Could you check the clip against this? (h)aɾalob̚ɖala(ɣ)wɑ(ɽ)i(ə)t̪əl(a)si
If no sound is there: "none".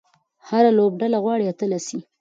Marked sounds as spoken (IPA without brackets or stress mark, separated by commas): h, ɣ, ɽ, a, a